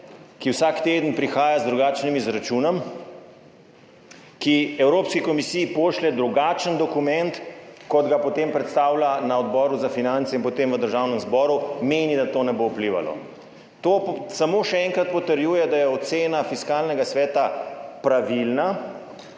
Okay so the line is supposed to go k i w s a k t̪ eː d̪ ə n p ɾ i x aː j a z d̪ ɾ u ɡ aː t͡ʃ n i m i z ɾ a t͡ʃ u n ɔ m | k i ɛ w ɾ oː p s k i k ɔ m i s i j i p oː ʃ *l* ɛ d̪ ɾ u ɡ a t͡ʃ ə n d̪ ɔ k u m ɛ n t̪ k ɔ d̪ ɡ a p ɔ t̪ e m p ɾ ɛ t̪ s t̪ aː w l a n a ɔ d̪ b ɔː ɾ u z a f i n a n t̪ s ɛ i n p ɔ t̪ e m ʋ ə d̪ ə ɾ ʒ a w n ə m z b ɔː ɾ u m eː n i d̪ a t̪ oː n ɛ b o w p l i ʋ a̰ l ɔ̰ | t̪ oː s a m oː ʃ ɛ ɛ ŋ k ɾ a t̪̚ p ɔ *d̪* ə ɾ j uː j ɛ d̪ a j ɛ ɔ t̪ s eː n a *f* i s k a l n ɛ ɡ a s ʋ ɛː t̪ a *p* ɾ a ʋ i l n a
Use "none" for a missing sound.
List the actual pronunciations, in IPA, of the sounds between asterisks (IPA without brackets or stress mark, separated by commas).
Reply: l, t̪, f, p